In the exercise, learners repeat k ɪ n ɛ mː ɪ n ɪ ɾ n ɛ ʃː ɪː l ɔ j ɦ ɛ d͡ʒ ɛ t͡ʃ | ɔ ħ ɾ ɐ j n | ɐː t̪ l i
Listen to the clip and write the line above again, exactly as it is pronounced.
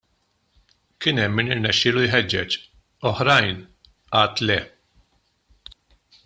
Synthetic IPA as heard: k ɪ n ɛ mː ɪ n ɪ ɾ n ɛ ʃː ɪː l u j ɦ ɛ d͡ʒː ɛ t͡ʃ | ɔ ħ ɾ ɐ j n | ɐː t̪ l ɛ